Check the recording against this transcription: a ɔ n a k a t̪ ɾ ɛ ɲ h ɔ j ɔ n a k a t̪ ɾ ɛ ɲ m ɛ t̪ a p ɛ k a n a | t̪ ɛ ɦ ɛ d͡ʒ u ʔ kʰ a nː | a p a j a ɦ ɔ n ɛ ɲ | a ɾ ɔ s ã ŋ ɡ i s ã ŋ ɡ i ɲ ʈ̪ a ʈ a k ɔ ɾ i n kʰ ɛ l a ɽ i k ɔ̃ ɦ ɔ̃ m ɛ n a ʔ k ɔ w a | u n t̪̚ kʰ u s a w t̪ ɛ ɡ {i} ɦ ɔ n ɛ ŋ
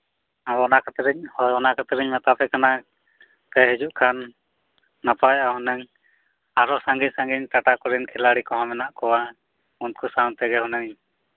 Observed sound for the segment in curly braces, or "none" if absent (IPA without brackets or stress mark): ɛ